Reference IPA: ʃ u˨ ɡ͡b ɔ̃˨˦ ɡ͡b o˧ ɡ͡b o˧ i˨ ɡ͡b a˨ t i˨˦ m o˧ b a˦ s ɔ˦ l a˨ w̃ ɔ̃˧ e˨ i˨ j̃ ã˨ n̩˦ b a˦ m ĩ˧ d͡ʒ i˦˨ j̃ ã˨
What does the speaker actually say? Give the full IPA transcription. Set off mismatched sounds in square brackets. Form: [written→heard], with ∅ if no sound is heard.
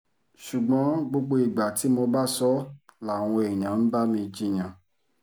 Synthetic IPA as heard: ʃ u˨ ɡ͡b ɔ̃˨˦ ɡ͡b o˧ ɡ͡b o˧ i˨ ɡ͡b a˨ t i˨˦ m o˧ b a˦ s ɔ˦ l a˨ w̃ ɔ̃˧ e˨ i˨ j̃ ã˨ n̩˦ b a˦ m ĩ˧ d͡ʒ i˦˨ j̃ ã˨